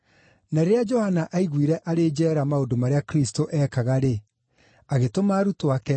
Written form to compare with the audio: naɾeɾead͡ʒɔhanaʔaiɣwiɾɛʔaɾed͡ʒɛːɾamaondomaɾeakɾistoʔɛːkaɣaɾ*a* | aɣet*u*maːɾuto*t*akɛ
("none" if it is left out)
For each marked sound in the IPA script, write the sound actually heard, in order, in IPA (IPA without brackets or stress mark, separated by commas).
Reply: e, o, none